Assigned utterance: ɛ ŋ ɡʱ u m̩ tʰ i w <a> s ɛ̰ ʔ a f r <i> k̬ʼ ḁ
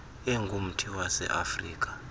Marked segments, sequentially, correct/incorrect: correct, incorrect: iː

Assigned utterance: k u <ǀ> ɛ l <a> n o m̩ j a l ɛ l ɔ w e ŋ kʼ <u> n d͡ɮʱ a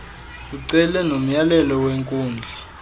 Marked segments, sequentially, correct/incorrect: correct, incorrect: ɛ, incorrect: uː

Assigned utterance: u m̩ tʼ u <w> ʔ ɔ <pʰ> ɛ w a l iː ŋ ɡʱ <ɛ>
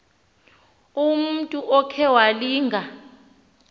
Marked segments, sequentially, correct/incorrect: incorrect: none, incorrect: kʰ, incorrect: a

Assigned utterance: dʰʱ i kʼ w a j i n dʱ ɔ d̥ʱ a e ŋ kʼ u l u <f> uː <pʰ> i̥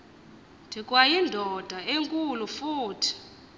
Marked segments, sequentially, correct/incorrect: correct, incorrect: tʰ

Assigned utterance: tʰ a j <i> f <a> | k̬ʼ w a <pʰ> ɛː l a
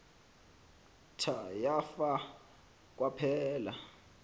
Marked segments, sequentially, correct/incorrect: incorrect: a, correct, correct

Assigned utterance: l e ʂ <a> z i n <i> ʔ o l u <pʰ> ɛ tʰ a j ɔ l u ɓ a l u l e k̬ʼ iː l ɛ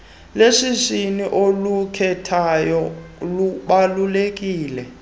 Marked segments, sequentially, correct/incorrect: incorrect: i, correct, incorrect: kʰ

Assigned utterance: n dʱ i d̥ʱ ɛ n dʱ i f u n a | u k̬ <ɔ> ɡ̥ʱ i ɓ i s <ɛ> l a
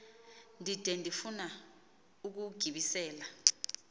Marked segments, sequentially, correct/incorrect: incorrect: u, incorrect: ɛː

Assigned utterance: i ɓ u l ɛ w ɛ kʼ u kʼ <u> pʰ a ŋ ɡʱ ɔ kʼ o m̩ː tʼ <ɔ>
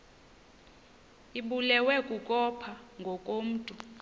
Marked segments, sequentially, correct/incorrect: incorrect: ɔ, incorrect: u

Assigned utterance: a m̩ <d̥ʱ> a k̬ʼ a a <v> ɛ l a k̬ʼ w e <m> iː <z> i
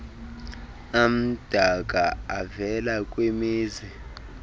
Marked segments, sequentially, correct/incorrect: correct, correct, correct, correct

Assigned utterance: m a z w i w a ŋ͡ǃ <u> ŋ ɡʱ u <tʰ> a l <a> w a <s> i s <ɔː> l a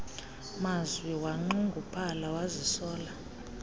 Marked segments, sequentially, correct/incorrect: correct, incorrect: pʰ, correct, incorrect: z, correct

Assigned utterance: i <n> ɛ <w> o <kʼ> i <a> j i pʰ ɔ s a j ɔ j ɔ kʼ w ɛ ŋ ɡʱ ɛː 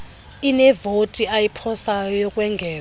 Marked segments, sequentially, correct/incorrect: correct, incorrect: v, incorrect: tʼ, correct

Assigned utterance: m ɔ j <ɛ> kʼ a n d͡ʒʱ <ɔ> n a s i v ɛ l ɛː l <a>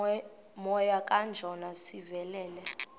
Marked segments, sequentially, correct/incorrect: incorrect: a, correct, incorrect: ɛ

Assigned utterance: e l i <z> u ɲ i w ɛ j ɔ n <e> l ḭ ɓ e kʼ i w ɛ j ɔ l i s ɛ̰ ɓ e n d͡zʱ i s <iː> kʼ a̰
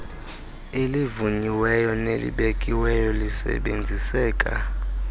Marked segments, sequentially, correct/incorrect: incorrect: v, correct, incorrect: ɛː

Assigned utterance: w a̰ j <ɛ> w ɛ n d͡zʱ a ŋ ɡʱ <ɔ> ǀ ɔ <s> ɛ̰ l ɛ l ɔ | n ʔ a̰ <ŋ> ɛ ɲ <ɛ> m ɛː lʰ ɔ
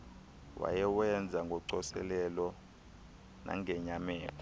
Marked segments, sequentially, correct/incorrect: correct, correct, correct, correct, incorrect: a

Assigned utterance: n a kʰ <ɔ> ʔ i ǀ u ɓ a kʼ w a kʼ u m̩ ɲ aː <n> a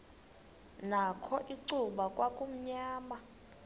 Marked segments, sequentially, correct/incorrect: correct, incorrect: m

